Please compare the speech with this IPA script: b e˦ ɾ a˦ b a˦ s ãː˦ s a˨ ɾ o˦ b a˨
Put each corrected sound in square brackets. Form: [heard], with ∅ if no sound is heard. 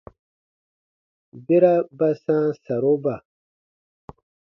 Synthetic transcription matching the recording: b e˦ ɾ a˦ b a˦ s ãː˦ s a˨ ɾ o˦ b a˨